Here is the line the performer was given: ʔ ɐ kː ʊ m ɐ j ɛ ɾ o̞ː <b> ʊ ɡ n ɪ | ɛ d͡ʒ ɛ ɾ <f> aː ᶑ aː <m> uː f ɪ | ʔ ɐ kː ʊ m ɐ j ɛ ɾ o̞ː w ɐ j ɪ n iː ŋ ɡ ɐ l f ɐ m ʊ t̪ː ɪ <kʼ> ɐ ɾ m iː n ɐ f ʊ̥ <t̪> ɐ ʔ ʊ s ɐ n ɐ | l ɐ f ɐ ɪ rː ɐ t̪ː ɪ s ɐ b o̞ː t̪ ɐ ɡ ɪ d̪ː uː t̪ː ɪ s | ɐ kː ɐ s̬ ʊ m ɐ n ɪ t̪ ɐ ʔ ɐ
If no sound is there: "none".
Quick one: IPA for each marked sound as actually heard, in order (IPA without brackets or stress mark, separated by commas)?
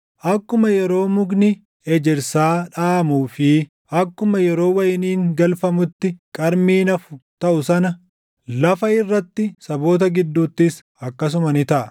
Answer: m, s, m, kʼ, t̪